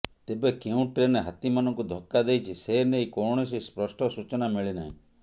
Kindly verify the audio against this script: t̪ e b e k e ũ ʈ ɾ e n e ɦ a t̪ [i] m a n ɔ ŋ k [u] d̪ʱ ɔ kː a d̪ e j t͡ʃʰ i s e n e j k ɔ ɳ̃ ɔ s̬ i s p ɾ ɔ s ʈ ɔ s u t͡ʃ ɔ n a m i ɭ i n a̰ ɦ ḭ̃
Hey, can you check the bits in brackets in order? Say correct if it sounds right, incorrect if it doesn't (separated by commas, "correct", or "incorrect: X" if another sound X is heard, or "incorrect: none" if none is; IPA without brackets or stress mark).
correct, correct